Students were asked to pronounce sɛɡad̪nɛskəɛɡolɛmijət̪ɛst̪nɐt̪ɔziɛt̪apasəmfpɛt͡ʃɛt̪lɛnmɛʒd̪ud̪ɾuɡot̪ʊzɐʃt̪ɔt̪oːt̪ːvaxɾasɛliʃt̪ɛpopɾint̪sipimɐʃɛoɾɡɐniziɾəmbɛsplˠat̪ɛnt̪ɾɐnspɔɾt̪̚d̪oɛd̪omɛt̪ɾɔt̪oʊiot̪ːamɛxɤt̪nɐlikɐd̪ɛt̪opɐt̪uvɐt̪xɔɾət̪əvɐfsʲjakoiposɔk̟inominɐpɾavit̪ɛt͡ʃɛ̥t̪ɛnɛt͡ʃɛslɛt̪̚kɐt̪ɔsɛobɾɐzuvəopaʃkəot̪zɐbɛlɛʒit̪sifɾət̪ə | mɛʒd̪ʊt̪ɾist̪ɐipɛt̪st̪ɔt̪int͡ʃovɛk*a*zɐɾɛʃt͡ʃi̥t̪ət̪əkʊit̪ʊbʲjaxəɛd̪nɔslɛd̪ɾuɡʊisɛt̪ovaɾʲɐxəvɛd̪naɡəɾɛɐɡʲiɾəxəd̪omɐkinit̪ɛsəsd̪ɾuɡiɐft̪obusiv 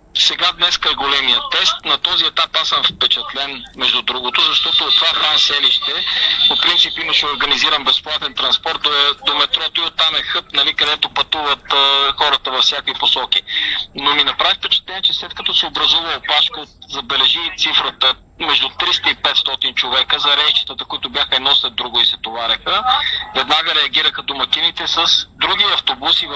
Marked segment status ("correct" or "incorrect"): incorrect